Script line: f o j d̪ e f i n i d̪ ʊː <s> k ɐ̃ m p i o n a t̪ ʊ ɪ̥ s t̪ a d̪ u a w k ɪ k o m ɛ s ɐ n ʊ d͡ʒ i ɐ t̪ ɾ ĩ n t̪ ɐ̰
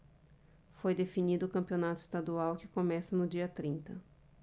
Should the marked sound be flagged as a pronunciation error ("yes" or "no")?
yes